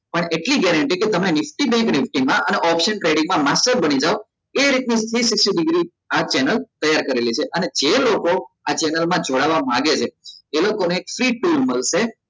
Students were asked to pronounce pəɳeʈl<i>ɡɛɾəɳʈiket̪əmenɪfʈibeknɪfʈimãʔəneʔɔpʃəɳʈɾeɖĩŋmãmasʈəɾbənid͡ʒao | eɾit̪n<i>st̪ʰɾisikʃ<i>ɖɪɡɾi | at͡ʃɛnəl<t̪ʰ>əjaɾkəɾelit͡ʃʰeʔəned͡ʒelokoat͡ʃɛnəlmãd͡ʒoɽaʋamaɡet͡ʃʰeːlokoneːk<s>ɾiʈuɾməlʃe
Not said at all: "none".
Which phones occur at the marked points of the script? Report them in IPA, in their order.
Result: i, i, i, t̪, f

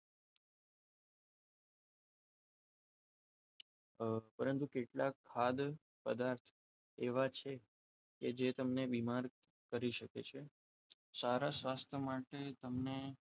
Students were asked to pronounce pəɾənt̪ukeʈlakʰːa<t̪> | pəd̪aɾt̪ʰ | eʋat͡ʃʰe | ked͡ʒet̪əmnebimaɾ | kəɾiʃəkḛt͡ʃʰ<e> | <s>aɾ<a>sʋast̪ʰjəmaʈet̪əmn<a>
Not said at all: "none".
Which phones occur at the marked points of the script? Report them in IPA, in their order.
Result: d̪, e, s, a, e

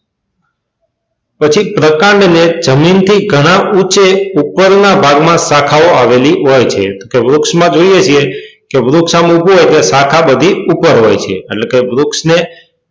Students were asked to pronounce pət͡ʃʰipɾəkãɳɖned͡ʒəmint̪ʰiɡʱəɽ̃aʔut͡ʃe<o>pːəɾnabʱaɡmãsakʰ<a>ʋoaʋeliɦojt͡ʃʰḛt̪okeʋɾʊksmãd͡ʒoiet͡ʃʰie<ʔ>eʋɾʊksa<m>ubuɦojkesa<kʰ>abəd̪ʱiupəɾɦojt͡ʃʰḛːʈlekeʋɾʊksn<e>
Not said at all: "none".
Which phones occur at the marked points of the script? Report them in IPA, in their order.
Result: u, a, k, m, kʰ, e

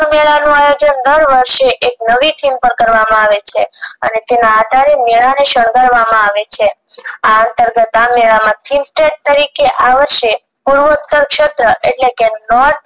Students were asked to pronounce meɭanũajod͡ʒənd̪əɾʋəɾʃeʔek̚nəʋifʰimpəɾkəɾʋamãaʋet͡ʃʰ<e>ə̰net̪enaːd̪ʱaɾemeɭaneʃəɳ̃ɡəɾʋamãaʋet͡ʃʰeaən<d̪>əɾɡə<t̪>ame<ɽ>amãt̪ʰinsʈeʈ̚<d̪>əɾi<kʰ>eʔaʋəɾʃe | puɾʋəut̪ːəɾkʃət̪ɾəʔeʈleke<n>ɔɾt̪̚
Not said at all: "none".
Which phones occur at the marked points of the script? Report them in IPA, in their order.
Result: e, t̪, t̪, ɭ, t̪, k, n

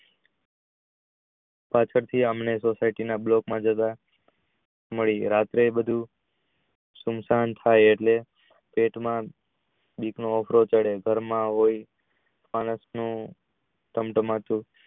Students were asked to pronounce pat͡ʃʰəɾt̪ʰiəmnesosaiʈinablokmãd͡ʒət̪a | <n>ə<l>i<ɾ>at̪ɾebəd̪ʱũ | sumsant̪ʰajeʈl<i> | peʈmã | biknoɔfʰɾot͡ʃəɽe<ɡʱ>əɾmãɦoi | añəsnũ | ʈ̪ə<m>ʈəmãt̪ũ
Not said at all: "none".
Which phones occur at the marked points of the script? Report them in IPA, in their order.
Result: m, ɭ, ɾ, e, ɡʱ, m

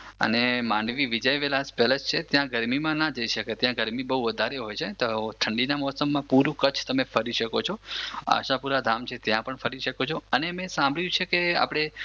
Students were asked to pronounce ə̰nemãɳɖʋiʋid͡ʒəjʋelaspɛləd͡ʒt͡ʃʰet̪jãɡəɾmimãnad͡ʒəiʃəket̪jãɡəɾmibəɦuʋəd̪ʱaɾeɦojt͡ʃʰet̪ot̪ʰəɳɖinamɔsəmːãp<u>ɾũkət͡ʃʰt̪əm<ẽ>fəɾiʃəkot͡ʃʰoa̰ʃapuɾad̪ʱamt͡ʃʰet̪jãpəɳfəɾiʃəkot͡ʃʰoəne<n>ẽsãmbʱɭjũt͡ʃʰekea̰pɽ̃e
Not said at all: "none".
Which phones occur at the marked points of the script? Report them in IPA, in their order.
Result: u, e, m

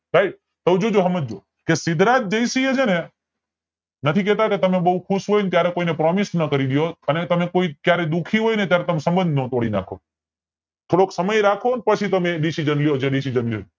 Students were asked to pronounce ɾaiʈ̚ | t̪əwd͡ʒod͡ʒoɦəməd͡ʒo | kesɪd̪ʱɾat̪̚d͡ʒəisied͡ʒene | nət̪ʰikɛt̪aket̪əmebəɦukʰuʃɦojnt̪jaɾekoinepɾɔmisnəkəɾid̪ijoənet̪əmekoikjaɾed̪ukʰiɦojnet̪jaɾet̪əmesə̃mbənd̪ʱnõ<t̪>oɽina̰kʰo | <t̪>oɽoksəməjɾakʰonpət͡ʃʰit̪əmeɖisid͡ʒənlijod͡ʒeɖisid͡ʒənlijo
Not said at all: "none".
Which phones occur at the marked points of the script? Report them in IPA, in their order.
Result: t̪, t̪ʰ

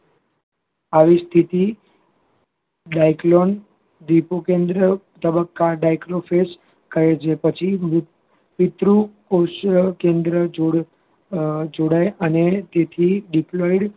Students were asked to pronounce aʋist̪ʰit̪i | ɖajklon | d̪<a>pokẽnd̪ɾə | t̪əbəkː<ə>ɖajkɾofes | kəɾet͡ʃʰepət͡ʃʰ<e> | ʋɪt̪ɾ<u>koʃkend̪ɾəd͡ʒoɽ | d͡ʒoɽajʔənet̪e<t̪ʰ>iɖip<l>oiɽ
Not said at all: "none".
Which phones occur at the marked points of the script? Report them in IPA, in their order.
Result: i, a, i, u, t̪ʰ, l

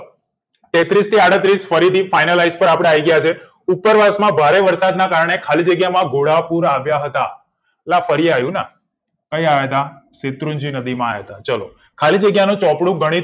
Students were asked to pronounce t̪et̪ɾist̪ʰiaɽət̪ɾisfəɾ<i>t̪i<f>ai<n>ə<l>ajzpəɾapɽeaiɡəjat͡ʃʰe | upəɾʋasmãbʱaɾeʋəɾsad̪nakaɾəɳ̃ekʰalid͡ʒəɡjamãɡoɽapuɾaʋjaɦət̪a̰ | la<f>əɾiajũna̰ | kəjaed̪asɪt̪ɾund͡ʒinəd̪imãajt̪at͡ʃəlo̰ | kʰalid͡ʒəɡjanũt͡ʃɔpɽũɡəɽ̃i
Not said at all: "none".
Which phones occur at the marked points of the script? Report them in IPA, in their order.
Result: i, f, n, l, f

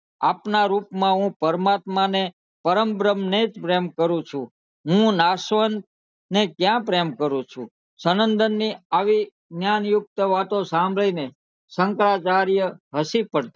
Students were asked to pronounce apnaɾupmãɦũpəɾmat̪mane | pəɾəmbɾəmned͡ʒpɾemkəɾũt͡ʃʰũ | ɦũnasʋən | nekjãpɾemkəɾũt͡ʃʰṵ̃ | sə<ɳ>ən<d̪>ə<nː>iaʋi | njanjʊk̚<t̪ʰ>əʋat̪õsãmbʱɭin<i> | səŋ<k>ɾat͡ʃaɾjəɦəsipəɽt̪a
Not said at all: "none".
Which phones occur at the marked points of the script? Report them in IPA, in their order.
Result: n, d̪, nː, t̪, e, k

